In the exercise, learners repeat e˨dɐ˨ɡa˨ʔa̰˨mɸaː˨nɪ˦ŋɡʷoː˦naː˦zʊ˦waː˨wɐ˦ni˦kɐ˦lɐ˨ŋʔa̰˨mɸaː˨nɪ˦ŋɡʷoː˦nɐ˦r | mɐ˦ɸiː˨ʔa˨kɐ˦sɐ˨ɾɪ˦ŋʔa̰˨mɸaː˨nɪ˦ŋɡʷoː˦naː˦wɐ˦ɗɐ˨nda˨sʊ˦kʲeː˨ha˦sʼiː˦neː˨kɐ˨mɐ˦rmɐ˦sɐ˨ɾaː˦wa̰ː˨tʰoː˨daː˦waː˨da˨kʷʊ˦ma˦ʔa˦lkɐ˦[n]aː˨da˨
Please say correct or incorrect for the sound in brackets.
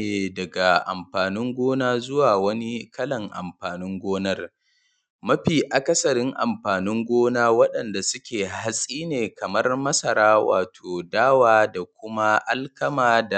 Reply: incorrect